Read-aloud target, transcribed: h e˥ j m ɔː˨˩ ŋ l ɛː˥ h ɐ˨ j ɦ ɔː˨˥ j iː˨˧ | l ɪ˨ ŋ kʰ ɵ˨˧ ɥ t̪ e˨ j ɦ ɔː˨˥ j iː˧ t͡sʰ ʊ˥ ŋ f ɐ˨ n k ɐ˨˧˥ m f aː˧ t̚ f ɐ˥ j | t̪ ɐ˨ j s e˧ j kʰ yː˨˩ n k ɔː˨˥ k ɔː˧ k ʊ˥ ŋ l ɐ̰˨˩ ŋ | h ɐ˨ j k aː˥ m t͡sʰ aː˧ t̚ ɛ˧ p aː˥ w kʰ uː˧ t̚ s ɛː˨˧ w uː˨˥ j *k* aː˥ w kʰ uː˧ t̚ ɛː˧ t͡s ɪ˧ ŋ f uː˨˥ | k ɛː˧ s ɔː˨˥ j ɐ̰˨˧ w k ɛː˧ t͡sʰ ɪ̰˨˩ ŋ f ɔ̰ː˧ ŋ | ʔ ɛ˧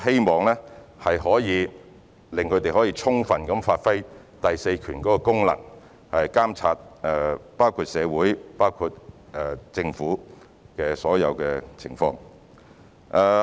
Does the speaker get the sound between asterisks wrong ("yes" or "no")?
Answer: yes